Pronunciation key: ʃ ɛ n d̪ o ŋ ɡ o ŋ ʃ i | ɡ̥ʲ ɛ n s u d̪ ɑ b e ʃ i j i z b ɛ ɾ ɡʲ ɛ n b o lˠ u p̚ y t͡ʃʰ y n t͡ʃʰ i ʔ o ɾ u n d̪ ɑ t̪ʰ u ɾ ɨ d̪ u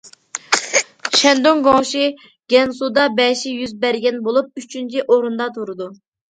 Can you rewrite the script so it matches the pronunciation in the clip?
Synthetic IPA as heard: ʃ ɛ n d̪ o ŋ ɡ o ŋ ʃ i | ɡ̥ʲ ɛ n s u d̪ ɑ b ɛ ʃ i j y z b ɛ ɾ ɡʲ ɛ n b o lˠ u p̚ y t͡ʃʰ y n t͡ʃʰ i ʔ o ɾ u n d̪ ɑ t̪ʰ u ɾ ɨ d̪ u